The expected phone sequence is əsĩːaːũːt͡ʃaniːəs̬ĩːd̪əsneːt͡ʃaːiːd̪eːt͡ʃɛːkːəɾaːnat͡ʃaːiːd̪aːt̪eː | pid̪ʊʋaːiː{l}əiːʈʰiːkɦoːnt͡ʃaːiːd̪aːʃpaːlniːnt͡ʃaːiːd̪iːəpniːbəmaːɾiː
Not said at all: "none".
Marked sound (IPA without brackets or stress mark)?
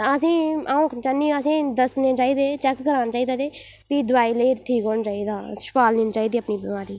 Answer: l